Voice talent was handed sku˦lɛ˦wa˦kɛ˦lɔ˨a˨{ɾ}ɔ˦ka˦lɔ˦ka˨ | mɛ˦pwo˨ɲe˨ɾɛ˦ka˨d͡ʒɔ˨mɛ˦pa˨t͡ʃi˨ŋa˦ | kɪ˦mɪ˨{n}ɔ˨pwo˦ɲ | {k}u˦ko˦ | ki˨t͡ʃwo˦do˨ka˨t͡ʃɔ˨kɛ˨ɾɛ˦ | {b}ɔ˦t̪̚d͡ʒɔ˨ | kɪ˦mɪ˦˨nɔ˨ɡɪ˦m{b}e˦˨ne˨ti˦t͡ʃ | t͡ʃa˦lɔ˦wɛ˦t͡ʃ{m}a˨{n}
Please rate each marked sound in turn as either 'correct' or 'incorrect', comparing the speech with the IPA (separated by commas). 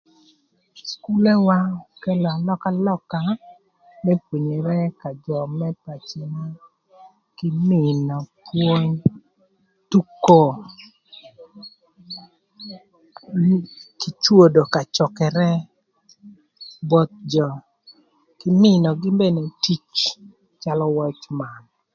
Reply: incorrect, correct, incorrect, correct, correct, correct, correct